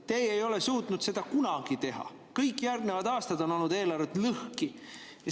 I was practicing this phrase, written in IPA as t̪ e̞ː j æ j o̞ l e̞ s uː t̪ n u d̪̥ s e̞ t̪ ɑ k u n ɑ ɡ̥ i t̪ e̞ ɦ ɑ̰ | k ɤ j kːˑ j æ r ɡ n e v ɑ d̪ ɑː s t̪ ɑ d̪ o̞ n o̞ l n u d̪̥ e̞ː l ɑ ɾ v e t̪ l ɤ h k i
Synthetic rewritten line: t̪ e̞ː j e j o̞ l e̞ s uː t̪ n u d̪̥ s e̞ d̪ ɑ k u n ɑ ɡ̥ i t̪ e̞ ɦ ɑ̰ | k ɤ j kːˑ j æ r ɡ n e v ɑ d̪ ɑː s t̪ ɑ d̪ o̞ n o̞ l n u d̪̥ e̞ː l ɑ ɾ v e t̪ l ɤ h k i